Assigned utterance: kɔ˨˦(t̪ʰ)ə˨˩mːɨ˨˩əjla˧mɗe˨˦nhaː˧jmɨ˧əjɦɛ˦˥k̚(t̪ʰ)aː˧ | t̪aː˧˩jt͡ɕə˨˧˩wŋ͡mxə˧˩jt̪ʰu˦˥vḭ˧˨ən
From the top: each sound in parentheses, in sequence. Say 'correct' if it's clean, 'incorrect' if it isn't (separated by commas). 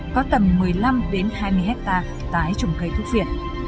incorrect, incorrect